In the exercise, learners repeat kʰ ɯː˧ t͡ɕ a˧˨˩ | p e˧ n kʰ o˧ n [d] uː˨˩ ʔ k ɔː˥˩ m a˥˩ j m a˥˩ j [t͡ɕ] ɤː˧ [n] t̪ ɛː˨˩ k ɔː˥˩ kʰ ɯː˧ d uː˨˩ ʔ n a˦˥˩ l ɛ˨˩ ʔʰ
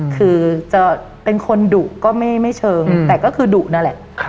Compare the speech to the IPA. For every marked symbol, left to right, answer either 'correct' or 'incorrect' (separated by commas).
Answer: correct, incorrect, incorrect